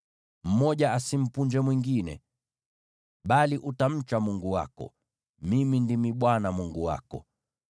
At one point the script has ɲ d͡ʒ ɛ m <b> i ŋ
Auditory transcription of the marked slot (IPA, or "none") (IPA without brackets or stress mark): w